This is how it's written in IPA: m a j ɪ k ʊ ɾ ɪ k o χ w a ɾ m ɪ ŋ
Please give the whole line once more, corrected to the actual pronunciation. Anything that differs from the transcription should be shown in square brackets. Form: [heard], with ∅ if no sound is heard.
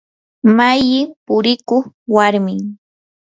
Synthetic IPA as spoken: m a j ɪ [p] ʊ ɾ ɪ k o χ w a ɾ m ɪ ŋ